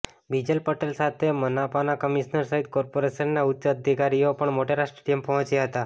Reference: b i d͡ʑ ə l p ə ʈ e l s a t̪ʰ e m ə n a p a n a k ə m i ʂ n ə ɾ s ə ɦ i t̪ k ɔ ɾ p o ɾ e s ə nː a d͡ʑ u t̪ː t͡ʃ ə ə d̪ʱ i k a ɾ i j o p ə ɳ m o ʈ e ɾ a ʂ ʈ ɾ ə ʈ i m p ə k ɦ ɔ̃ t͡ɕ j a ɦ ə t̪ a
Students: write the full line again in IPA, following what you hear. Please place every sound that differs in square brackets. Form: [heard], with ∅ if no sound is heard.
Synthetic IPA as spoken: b i d͡ʑ ə l p ə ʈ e l s a t̪ʰ e m ə n a p a n a k ə m i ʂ n ə ɾ s ə ɦ i t̪ k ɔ ɾ p o ɾ e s ə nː a [∅] u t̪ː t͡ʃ ə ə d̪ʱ i k a ɾ i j o p ə ɳ m o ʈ e ɾ a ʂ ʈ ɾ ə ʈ i m p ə [∅] ɦ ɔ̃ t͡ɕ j a ɦ ə t̪ a